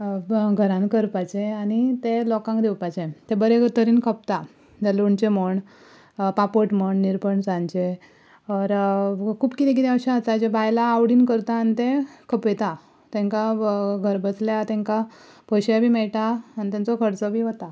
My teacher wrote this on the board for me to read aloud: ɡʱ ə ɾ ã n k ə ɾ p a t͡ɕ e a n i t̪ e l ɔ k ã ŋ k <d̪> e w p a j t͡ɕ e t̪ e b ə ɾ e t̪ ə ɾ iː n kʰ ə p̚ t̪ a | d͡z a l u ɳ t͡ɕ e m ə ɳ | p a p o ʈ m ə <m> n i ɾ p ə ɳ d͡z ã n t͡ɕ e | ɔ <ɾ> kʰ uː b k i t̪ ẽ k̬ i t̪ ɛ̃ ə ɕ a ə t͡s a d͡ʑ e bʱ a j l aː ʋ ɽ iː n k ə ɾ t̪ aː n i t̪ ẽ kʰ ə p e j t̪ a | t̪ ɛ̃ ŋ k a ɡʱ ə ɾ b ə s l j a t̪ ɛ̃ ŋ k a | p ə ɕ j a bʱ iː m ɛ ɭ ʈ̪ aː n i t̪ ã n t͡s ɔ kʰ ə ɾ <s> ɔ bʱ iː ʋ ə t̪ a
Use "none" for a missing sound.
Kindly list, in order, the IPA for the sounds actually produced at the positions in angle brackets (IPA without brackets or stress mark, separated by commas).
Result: d̪, ɳ, ɾ, t͡s